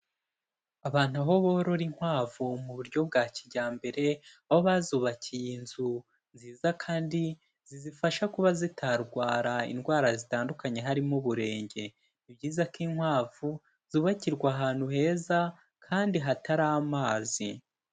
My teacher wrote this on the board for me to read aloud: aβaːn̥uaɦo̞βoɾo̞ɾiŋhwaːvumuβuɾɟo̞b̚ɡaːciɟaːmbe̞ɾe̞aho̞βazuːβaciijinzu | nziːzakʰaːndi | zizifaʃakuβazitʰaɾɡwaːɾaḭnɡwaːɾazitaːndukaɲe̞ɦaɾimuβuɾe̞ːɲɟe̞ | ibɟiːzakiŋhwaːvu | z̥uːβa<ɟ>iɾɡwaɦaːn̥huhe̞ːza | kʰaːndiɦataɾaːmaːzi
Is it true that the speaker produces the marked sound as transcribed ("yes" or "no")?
no